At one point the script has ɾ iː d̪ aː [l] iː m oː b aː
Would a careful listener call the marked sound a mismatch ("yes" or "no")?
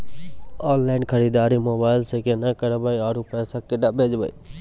yes